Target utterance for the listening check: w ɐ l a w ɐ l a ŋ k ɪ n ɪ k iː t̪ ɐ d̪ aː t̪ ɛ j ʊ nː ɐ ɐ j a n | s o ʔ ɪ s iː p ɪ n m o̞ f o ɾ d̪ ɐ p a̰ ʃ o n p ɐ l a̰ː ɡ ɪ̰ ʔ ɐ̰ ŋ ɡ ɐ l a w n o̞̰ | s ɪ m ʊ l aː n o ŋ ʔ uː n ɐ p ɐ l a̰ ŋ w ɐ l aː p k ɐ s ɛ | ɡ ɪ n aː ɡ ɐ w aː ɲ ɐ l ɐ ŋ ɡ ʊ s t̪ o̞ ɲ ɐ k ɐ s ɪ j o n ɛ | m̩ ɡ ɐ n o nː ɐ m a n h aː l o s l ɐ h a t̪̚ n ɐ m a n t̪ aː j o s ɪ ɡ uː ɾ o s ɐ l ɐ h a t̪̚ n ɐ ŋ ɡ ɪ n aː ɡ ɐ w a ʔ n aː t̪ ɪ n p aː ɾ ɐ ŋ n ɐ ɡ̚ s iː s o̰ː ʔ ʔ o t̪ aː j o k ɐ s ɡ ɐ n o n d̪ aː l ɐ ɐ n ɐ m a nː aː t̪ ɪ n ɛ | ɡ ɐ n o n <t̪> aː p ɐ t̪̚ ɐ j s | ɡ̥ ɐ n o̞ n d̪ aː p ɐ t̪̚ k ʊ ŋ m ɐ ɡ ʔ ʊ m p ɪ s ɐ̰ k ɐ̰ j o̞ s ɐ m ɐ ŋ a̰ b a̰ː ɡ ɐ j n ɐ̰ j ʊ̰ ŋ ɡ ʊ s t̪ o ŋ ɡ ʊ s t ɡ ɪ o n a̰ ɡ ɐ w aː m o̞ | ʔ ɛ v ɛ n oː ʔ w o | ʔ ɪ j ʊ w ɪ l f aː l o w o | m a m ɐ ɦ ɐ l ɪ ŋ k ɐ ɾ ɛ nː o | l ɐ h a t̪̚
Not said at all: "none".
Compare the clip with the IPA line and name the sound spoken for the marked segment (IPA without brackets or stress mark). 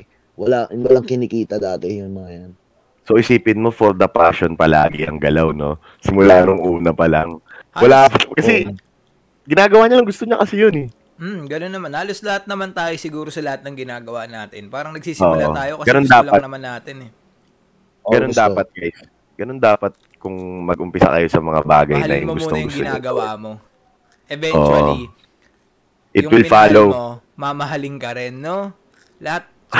d̪